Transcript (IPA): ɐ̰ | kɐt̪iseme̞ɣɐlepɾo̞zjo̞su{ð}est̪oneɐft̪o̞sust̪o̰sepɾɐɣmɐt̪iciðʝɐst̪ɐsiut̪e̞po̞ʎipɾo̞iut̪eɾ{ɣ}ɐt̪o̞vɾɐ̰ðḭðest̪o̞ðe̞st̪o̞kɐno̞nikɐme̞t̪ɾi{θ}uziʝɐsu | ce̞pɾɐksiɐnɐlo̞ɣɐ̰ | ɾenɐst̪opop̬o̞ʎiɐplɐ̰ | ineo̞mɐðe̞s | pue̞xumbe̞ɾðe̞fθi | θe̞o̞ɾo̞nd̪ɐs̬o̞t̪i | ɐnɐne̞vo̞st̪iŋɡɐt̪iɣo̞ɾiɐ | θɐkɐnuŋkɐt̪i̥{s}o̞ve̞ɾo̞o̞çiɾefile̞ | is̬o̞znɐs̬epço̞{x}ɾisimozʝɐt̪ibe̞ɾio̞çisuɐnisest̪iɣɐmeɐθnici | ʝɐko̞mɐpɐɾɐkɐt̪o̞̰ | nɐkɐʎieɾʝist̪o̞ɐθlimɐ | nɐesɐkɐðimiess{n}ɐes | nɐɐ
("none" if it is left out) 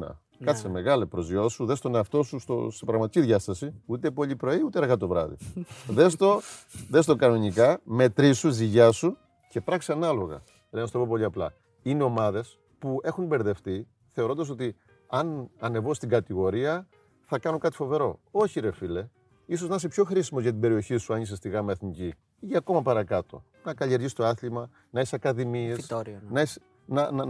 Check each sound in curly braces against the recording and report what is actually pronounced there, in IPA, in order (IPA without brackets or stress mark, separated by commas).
ð, ɣ, s, f, x, n